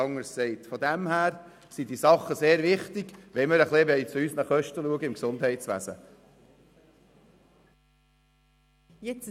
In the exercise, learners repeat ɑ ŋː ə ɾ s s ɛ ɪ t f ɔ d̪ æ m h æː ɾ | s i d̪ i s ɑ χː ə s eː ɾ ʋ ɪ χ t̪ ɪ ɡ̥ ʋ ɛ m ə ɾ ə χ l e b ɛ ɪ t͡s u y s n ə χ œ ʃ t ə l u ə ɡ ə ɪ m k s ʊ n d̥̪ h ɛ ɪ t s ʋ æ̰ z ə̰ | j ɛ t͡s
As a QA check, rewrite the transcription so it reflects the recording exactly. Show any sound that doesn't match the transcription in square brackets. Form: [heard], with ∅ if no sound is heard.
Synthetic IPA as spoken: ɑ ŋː ə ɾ s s ɛ ɪ t f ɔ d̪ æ m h æː ɾ | s i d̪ i s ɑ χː ə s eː ɾ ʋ ɪ χ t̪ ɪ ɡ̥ ʋ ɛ m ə ɾ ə χ l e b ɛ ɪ t͡s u y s n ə χ œ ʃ t ə l u ə ɡ ə ɪ m k s ʊ n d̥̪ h ɛ ɪ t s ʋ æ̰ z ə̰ | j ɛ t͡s